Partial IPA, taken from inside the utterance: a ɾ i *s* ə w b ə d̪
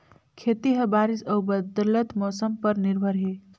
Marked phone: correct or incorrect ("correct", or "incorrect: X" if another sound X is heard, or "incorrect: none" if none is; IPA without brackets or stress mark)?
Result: correct